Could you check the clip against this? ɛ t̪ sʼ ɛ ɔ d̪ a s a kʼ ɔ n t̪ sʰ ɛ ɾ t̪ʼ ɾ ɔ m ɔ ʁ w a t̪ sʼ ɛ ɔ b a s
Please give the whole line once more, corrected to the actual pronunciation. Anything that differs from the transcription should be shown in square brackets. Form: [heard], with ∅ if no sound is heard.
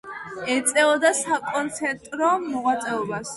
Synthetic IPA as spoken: ɛ t̪ sʼ ɛ ɔ d̪ a s a kʼ ɔ n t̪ sʰ ɛ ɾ t̪ʼ ɾ ɔ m ɔ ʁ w a t̪ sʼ ɛ ɔ b a s